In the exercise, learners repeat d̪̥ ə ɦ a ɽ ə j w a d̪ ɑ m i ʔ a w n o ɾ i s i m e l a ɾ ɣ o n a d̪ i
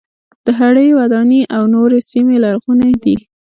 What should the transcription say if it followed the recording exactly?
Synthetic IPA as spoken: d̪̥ ə ɦ a ɽ ə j w a d̪ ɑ n i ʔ a w n o ɾ e s i m e l a ɾ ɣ u n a d̪ i